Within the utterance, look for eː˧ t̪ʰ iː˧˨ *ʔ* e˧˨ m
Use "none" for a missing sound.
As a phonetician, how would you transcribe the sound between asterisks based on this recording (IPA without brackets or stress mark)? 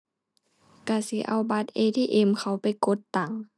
ʔ